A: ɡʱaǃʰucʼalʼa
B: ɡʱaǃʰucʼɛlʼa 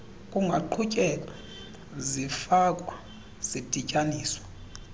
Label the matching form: B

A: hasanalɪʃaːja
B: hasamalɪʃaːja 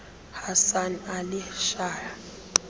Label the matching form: A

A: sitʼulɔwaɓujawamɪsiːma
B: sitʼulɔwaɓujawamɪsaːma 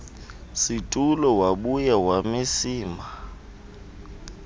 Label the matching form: A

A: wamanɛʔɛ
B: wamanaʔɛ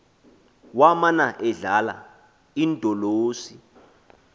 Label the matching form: B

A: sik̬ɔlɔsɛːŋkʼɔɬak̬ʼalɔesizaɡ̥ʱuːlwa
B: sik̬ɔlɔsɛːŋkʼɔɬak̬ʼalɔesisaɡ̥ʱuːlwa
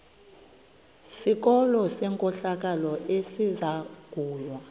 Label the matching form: A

